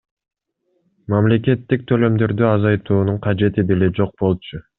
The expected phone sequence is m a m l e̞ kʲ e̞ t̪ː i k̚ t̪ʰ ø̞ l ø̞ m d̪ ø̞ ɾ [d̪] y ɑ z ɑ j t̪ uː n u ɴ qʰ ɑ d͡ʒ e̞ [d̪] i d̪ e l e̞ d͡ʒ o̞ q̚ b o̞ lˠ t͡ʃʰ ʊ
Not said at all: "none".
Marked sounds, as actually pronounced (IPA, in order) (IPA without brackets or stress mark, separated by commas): d̪, t̪